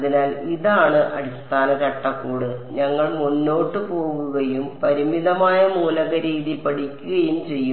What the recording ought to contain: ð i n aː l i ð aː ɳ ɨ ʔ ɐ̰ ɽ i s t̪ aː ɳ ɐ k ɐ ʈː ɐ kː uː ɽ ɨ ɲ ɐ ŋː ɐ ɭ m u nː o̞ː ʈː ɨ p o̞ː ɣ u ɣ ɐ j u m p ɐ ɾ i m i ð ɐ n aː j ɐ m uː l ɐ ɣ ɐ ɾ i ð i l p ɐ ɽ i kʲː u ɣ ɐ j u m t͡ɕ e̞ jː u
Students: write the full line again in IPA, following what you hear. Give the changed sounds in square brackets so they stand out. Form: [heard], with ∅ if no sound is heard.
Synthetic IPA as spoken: ð i n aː l i ð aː ɳ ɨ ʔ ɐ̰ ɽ i s t̪ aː [n] ɐ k ɐ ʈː ɐ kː uː ɽ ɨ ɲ ɐ ŋː ɐ ɭ m u nː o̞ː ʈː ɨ p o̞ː ɣ u ɣ ɐ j u m p ɐ ɾ i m i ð ɐ [m] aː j ɐ m uː l ɐ ɣ ɐ ɾ [iː] ð i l p ɐ ɽ i kʲː u ɣ ɐ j u m t͡ɕ e̞ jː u